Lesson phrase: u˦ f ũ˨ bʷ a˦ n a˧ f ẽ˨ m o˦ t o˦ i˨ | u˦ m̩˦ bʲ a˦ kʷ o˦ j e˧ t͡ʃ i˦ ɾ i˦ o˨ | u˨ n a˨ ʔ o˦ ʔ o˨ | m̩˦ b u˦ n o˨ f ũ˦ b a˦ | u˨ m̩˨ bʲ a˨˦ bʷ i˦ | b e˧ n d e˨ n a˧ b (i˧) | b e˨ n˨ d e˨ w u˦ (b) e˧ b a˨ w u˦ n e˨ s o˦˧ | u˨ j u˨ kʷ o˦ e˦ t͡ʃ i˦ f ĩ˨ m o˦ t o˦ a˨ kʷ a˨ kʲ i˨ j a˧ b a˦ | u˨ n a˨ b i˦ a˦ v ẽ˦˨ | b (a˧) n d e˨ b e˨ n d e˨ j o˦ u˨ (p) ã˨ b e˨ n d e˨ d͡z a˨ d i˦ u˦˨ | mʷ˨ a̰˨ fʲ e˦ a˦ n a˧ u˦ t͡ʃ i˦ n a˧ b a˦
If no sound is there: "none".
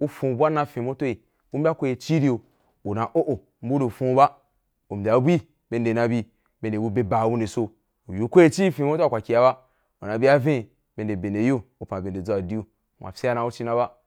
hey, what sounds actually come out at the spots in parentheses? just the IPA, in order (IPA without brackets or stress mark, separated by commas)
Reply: i˧, b, e˧, p